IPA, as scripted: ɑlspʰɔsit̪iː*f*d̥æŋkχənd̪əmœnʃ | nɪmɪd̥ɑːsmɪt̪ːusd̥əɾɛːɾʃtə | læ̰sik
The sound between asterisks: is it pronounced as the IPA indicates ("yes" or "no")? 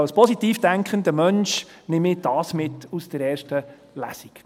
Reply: yes